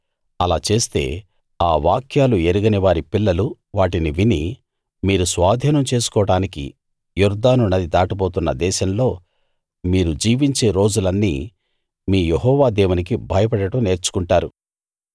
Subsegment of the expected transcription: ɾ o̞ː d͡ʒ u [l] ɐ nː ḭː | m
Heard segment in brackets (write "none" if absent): l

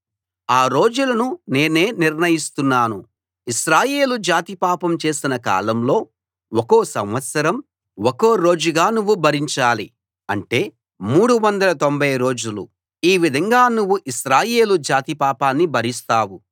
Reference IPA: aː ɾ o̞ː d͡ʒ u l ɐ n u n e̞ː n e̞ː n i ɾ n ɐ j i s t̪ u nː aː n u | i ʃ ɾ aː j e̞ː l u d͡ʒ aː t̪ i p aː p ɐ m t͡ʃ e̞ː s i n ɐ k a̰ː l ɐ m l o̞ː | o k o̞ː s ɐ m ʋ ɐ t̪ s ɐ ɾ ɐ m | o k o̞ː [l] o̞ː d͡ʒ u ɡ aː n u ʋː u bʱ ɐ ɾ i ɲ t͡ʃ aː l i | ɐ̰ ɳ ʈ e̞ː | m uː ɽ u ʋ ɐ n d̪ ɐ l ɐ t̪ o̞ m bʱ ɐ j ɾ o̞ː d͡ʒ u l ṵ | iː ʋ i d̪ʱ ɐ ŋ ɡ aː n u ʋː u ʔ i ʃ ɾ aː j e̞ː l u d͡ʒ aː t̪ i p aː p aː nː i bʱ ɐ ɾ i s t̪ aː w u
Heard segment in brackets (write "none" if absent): ɾ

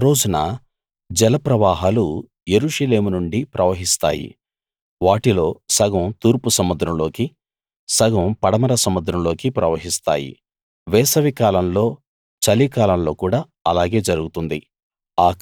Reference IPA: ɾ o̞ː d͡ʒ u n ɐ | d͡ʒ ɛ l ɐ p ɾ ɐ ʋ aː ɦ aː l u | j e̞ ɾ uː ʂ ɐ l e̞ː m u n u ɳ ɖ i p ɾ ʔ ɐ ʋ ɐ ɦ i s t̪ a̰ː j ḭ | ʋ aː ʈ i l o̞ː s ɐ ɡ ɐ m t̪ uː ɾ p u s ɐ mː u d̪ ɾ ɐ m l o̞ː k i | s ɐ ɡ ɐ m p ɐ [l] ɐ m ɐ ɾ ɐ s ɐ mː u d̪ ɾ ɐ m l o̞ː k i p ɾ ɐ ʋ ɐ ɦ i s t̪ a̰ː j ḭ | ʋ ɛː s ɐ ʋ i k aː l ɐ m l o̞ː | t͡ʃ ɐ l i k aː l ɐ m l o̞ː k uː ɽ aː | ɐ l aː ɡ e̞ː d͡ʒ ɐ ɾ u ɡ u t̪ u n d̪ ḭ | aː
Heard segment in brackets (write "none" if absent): ɽ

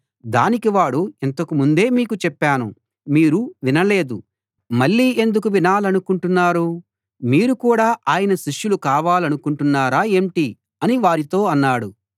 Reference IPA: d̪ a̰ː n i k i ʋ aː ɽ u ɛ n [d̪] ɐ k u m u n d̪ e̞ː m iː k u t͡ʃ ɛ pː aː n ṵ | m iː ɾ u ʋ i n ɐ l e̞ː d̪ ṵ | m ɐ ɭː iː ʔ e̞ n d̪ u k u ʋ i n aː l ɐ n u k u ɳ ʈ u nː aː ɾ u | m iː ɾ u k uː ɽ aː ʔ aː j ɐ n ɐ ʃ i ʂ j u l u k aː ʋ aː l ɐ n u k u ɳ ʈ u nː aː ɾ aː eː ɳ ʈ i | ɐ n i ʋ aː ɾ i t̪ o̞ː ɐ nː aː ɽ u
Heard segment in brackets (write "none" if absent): t̪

